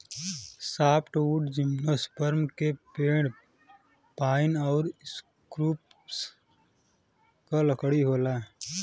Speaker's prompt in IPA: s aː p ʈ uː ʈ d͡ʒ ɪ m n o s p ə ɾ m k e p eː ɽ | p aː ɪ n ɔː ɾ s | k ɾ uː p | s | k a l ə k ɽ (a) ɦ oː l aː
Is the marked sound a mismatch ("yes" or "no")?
yes